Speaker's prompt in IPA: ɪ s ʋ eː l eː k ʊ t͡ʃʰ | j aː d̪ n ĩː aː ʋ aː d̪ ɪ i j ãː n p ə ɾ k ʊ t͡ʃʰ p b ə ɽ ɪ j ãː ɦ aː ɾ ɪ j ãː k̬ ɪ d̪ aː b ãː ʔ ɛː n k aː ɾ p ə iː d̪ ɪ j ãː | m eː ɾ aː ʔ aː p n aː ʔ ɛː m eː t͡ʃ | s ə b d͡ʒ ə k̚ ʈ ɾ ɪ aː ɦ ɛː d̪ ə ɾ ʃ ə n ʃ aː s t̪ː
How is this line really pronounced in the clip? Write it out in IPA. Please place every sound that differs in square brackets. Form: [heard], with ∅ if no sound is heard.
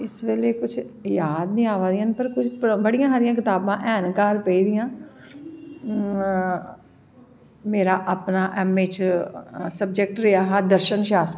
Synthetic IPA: ɪ s ʋ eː l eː k ʊ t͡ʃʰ | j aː d̪ n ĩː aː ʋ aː d̪ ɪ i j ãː n p ə ɾ k ʊ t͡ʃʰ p b ə ɽ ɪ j ãː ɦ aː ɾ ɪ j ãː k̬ ɪ [t̪] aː b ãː ʔ ɛː n k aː ɾ p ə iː d̪ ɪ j ãː | m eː ɾ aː ʔ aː p n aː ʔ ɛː m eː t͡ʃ | s ə b d͡ʒ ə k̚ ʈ ɾ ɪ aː ɦ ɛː d̪ ə ɾ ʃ ə n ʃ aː s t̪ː